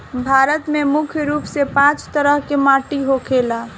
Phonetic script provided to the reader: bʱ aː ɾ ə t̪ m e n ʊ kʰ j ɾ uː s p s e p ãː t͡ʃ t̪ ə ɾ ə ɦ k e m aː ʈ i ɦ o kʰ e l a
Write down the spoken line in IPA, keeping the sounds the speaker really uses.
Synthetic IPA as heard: bʱ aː ɾ ə t̪ m e m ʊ kʰ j ɾ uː p s e p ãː t͡ʃ t̪ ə ɾ ə ɦ k e m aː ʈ i ɦ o kʰ e l a